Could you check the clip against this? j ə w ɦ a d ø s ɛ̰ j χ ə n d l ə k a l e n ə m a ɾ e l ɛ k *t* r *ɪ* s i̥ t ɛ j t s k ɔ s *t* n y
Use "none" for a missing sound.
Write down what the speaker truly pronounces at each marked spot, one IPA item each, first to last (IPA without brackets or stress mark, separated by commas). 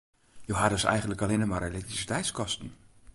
t, i, t